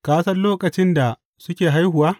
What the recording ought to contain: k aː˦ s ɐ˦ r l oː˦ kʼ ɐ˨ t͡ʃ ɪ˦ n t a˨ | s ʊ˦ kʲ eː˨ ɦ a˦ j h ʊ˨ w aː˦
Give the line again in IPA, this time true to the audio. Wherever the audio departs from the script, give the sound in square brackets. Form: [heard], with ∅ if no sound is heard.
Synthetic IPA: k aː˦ s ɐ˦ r l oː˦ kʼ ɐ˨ t͡ʃ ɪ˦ n [d] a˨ | s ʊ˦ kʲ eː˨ ɦ a˦ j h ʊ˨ w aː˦